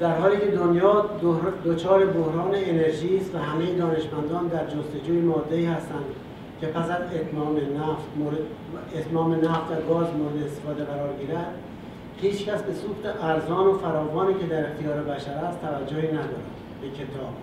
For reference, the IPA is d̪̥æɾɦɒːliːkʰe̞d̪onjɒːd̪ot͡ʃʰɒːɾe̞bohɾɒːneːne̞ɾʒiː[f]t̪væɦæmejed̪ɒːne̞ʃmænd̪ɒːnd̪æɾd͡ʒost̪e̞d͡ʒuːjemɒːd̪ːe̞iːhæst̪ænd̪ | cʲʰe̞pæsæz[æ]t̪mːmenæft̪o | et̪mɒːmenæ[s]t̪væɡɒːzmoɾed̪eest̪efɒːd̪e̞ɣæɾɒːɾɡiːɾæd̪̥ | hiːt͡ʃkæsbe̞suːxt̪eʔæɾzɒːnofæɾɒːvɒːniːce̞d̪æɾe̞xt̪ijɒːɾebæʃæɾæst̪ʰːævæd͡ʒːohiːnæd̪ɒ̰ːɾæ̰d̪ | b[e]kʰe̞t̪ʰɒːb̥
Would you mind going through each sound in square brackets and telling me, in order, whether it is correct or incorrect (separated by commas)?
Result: incorrect, incorrect, incorrect, correct